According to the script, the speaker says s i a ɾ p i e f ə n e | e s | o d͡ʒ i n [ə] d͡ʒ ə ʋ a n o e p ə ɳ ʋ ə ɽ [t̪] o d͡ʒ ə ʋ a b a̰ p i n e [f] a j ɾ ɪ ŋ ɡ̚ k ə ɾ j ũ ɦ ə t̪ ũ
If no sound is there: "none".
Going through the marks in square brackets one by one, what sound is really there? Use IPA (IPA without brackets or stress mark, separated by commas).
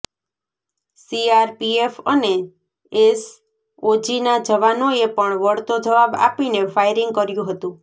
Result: a, t̪, f